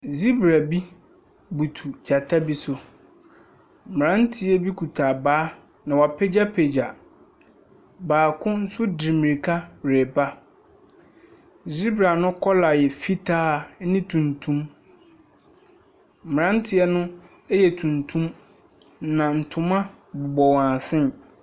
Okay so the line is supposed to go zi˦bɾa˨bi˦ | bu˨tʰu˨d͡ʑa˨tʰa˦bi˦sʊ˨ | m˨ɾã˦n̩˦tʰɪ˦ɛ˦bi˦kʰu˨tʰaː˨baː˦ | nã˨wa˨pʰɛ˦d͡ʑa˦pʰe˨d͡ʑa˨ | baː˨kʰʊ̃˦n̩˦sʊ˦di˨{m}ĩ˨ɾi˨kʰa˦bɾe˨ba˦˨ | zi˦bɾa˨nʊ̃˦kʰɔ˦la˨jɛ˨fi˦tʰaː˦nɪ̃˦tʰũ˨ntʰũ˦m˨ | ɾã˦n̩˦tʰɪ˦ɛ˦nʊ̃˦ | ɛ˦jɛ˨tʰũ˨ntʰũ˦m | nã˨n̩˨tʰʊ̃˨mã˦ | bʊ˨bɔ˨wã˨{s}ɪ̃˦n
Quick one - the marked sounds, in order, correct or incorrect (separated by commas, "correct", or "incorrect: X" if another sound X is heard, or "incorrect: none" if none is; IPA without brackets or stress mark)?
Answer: correct, correct